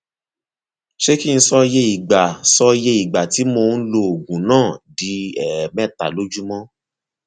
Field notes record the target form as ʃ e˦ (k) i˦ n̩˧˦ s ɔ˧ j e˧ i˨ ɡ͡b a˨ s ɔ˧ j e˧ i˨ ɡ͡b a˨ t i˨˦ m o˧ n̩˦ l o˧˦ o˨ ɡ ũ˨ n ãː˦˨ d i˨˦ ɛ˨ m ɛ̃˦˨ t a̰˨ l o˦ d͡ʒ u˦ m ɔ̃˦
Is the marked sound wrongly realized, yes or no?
no